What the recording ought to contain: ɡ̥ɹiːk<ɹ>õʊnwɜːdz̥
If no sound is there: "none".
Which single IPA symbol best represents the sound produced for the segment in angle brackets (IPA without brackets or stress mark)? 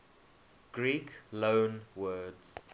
l